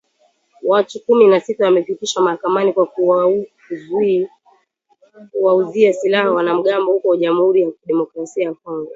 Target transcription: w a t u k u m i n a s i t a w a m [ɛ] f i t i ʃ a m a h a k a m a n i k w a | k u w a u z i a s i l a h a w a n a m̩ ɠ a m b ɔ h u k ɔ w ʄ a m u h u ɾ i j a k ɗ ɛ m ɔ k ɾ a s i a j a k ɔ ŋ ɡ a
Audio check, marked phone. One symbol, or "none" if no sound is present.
ɛ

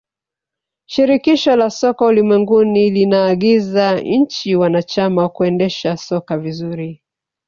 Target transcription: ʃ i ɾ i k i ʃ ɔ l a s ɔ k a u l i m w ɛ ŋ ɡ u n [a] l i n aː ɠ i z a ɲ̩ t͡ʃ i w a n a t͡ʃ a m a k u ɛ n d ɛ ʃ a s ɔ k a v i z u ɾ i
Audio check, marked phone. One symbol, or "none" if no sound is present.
i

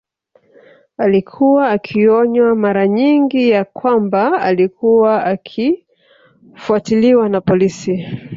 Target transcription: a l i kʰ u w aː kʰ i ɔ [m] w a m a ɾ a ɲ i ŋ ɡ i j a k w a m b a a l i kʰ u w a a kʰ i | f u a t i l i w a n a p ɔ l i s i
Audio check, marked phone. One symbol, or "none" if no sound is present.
ɲ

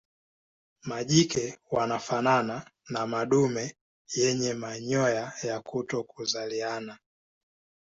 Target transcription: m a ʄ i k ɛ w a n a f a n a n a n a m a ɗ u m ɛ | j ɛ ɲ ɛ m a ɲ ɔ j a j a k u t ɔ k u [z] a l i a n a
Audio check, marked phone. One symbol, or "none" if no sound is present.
z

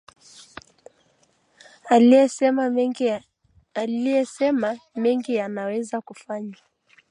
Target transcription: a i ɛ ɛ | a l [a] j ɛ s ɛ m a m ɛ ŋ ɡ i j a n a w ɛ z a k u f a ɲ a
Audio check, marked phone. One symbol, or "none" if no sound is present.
i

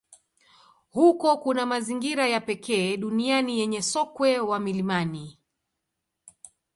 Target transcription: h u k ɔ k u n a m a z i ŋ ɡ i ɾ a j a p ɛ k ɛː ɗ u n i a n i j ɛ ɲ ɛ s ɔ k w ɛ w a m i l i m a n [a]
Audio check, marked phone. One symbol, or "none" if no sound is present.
i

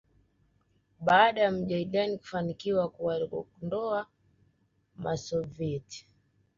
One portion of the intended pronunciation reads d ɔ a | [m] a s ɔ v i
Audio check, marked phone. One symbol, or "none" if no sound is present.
m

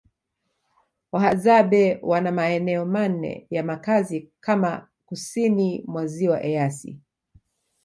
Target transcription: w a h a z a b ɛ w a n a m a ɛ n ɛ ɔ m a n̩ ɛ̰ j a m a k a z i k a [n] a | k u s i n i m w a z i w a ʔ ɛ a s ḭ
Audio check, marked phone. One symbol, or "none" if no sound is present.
m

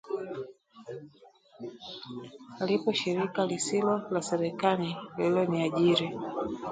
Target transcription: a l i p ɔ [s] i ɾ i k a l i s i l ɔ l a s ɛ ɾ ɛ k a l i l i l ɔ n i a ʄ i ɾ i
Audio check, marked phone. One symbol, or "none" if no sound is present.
ʃ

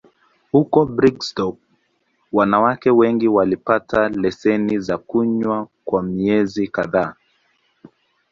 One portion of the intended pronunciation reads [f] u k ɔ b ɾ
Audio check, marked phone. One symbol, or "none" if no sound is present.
h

